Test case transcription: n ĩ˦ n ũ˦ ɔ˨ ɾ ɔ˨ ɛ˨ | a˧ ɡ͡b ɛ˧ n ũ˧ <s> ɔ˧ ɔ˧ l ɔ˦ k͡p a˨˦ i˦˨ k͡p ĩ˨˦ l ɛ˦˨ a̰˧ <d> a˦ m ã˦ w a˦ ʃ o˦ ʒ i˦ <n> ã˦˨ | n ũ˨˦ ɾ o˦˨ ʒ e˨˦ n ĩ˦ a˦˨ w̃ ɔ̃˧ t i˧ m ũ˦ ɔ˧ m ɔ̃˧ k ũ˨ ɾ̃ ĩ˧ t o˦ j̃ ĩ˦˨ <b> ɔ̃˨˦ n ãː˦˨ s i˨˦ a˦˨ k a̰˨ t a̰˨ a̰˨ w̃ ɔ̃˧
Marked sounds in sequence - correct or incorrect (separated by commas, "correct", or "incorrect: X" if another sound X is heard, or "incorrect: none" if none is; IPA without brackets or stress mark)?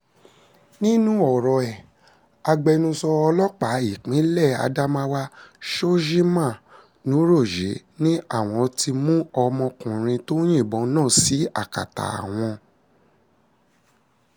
correct, correct, incorrect: m, correct